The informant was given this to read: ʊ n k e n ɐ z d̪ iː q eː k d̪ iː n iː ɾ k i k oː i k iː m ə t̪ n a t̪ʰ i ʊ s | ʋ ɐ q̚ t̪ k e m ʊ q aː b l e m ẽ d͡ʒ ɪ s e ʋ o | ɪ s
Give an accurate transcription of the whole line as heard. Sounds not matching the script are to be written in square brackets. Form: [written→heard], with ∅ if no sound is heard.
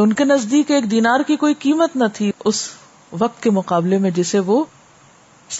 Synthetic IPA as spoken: ʊ n k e n ɐ z d̪ iː [q→k] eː k d̪ iː n [iː→aː] ɾ k i k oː i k iː m ə t̪ n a t̪ʰ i ʊ s | ʋ ɐ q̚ t̪ k e m ʊ q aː b l e m ẽ d͡ʒ ɪ s e ʋ o | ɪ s